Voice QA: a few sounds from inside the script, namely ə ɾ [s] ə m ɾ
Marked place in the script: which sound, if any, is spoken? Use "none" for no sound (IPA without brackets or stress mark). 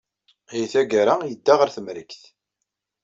θ